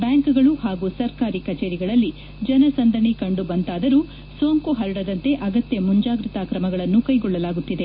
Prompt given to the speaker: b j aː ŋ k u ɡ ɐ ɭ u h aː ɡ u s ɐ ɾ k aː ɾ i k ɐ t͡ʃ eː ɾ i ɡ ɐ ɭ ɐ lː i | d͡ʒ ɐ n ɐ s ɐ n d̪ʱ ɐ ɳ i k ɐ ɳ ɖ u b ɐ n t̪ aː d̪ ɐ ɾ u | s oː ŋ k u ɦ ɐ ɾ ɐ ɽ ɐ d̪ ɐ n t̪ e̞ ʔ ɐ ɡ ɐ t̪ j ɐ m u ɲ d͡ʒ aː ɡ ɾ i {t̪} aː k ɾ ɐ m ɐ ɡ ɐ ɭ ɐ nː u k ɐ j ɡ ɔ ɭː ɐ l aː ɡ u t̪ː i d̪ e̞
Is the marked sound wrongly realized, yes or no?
no